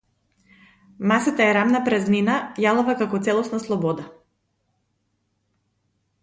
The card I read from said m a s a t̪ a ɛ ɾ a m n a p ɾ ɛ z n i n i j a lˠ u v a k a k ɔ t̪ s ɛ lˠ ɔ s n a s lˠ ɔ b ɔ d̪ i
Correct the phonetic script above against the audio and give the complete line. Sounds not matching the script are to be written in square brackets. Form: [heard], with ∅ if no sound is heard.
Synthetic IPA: m a s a t̪ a ɛ ɾ a m n a p ɾ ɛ z n i n [a] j a lˠ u v a k a k ɔ t̪ s ɛ lˠ ɔ s n a s lˠ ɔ b ɔ d̪ [a]